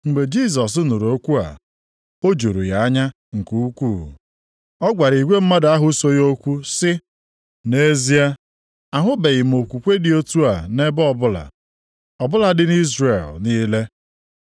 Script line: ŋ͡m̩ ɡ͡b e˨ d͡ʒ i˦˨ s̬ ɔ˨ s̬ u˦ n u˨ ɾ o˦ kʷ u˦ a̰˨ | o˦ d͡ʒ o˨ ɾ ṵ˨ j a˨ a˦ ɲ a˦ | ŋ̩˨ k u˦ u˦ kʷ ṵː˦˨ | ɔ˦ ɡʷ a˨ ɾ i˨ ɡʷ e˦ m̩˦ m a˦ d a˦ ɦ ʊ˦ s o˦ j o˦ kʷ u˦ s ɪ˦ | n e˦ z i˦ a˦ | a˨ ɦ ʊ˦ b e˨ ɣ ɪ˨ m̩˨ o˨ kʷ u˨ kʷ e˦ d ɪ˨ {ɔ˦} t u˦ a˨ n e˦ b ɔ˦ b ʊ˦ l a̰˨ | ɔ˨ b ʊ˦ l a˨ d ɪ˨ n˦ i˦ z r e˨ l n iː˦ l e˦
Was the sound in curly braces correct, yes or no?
no